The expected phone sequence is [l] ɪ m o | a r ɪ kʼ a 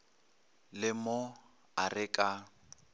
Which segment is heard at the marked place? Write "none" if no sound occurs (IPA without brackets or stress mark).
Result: l